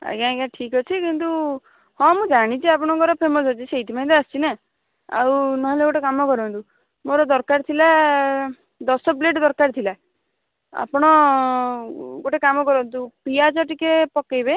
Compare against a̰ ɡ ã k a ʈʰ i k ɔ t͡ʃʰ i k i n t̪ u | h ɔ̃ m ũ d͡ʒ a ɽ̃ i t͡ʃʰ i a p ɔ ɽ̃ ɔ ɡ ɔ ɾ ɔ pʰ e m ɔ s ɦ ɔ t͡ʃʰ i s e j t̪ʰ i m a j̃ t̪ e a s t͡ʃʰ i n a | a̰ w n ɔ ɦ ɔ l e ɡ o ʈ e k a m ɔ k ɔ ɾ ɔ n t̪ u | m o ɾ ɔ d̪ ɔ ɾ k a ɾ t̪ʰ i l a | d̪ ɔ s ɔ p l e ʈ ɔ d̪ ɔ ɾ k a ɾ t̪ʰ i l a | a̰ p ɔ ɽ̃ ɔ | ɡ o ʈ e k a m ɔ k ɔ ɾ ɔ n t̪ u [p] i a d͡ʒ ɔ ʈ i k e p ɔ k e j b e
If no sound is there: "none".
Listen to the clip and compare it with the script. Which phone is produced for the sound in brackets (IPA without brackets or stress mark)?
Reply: p